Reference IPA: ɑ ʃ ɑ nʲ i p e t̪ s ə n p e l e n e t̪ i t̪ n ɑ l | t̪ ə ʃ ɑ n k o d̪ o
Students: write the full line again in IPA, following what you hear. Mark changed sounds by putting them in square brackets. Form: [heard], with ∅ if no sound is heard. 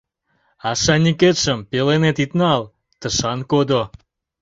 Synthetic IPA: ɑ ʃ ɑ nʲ i [k] e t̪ [ʃ] ə [m] p e l e n e t̪ i t̪ n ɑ l | t̪ ə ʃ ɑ n k o d̪ o